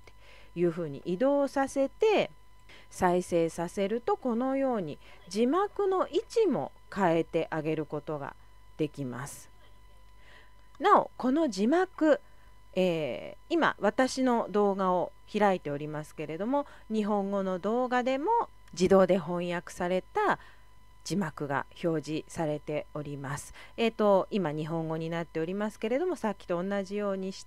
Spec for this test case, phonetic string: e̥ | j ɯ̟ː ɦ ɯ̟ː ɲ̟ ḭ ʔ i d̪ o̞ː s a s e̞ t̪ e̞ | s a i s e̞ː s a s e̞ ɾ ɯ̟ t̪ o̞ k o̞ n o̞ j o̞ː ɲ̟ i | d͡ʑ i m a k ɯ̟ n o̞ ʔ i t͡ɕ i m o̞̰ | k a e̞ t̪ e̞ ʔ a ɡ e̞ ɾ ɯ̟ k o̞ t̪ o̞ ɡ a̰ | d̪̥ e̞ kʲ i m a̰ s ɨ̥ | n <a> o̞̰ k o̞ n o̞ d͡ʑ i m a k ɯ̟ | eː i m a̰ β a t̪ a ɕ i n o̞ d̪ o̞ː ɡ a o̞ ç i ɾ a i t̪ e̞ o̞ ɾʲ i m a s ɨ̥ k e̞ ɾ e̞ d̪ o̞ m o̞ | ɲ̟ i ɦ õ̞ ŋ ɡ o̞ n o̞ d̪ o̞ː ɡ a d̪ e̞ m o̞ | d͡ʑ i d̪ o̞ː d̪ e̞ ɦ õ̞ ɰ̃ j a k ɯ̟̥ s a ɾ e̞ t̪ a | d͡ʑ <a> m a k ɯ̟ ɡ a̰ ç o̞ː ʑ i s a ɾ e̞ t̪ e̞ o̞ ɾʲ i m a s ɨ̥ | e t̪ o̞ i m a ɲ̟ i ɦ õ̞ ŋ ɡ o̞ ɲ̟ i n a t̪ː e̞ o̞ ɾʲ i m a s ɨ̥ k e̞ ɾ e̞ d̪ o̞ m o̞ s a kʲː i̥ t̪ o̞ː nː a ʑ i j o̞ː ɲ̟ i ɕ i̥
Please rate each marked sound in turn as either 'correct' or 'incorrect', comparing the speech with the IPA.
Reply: correct, incorrect: i

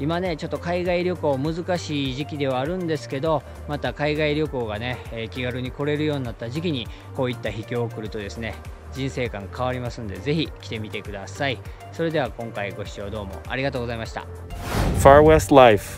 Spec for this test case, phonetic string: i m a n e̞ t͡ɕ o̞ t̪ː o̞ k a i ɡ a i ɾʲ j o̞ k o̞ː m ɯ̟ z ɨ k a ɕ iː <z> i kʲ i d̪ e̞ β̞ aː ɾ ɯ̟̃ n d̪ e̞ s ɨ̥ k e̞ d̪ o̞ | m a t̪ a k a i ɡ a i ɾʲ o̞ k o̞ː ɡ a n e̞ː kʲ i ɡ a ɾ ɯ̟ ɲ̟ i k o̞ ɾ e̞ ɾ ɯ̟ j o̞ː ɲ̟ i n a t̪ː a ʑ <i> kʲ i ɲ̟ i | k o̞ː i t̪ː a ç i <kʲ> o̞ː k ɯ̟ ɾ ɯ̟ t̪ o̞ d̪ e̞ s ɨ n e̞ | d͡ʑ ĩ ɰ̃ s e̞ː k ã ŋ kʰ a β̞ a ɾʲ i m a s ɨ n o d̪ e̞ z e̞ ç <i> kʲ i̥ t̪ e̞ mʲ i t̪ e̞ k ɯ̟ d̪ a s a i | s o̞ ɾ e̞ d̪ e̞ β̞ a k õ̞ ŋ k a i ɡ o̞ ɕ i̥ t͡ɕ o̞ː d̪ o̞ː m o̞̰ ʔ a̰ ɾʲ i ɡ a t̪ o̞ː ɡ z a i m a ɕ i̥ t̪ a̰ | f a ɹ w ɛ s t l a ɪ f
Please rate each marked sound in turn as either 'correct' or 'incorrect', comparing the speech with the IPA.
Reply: incorrect: ʑ, correct, correct, correct

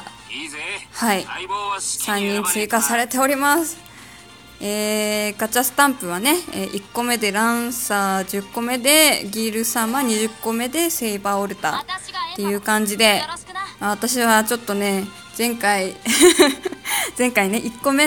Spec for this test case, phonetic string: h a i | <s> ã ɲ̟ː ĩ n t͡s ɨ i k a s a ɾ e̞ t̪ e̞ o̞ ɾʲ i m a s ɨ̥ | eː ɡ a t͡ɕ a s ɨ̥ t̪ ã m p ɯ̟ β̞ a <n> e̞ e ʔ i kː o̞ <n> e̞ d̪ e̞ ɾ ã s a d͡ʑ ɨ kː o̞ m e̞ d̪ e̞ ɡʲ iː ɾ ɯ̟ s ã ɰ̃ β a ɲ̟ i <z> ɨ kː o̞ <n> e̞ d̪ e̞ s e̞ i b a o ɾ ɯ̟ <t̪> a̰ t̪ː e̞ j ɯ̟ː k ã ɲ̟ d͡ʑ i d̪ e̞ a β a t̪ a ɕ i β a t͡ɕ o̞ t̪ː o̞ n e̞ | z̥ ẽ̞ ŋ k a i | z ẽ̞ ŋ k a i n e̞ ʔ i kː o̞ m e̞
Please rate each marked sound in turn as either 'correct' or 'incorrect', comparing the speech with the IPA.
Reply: correct, correct, incorrect: m, incorrect: ʑ, incorrect: m, correct

